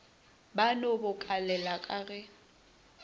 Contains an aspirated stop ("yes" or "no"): no